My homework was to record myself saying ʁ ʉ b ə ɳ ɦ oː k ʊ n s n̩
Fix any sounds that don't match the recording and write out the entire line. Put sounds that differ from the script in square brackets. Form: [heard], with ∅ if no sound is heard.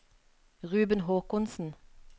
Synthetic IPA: ʁ [ʉː] b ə [n] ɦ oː k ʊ n s n̩